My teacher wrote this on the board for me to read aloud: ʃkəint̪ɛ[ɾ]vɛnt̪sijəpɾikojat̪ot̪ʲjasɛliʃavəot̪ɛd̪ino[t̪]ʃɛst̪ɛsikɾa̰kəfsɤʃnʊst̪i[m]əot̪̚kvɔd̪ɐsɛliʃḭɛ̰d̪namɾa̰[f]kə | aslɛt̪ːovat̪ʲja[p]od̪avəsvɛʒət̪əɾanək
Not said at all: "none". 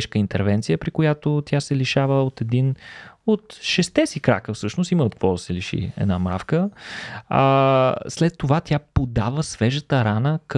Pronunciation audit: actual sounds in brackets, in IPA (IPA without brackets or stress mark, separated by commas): ɾ, t̪, m, f, p